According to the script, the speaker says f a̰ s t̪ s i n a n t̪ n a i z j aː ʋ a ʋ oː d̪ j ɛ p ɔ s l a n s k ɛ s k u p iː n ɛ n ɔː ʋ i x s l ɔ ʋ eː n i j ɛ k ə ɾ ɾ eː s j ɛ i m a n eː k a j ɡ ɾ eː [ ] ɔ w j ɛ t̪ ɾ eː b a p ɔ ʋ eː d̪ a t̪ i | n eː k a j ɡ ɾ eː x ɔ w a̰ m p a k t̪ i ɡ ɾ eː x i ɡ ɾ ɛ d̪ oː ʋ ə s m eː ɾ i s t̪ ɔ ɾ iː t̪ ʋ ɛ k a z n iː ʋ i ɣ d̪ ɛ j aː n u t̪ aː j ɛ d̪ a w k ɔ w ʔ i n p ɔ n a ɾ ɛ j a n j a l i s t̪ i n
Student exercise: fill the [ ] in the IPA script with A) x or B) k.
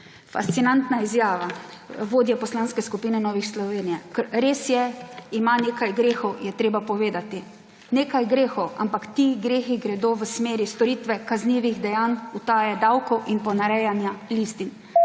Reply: A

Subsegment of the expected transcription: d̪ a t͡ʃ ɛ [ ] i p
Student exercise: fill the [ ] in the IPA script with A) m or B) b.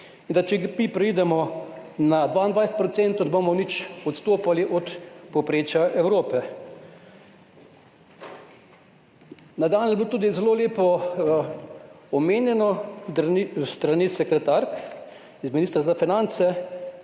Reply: A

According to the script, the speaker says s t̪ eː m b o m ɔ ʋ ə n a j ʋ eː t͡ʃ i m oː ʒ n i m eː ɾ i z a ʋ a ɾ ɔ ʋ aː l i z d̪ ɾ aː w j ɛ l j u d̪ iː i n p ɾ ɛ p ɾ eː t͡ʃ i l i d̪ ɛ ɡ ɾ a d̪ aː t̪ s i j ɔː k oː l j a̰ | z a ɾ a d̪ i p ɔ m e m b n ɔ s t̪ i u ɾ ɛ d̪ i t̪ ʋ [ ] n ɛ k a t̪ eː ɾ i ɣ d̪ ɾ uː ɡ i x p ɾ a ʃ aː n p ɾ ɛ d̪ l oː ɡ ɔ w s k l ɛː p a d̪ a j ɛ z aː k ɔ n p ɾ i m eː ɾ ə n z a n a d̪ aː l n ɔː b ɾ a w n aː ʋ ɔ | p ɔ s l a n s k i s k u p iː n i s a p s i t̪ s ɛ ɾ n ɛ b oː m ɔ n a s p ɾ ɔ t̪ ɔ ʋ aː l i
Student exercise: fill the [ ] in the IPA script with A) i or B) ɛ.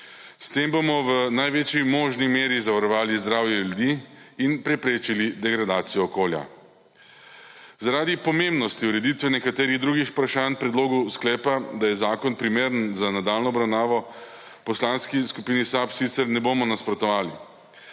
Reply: B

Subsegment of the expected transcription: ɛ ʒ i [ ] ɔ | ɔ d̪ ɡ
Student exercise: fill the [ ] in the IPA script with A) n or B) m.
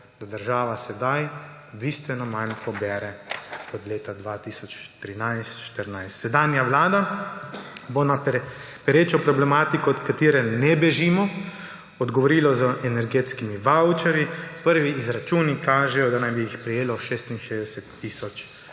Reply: B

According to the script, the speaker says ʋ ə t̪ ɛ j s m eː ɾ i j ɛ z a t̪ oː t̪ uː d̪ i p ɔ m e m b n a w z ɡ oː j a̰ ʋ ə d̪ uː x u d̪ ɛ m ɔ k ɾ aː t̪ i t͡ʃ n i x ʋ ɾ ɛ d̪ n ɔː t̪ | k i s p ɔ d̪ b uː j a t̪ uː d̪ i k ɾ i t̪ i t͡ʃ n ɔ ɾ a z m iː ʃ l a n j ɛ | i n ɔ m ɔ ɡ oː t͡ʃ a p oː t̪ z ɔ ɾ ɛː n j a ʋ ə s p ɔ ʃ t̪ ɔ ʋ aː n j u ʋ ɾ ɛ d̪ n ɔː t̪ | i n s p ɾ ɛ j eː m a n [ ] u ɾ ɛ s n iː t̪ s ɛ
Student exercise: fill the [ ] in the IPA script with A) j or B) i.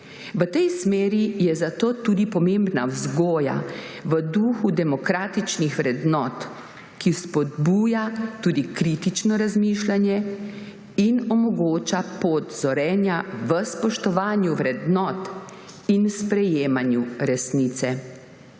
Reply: A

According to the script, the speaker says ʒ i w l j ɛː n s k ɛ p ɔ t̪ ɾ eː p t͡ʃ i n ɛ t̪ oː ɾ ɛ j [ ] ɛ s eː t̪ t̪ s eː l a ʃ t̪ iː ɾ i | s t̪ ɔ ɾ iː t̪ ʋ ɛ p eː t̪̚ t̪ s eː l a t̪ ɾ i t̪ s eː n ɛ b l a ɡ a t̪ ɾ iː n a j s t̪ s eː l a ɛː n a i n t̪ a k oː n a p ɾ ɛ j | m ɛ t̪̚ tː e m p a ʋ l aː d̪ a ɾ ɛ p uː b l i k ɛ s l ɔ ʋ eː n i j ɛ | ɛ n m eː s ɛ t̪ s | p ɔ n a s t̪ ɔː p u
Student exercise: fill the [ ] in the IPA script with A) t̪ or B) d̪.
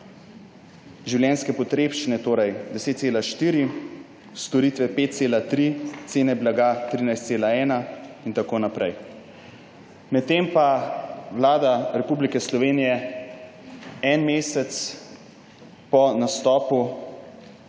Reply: B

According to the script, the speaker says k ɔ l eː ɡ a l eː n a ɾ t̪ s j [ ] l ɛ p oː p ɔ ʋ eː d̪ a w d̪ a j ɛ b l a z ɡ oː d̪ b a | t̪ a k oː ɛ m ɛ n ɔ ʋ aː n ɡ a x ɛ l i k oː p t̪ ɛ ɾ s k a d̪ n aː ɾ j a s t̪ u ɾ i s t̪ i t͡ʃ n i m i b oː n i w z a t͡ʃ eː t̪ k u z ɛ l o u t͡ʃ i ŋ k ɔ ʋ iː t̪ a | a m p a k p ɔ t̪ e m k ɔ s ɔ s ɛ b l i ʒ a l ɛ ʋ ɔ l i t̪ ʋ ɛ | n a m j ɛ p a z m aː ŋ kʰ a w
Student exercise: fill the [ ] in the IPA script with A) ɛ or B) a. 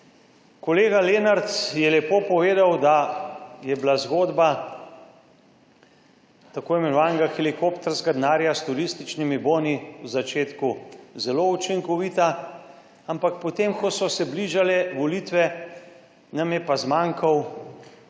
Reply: A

